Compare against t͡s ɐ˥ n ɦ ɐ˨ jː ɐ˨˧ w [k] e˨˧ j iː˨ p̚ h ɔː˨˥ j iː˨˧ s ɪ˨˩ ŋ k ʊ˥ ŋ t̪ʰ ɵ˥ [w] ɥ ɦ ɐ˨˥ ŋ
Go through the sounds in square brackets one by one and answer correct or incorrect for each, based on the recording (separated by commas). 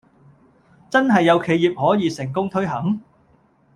incorrect, incorrect